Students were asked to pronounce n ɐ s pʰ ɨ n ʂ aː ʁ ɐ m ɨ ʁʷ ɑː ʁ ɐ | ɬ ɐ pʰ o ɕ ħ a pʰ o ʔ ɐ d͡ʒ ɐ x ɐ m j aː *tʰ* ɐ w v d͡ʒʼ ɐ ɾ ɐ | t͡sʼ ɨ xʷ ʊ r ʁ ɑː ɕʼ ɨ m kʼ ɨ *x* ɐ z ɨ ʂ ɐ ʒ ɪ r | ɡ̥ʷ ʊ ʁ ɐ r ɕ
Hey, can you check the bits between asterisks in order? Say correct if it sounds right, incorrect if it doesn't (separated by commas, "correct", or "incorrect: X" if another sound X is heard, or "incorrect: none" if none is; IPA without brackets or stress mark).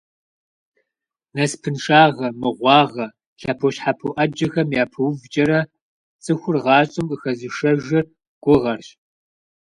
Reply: incorrect: pʰ, correct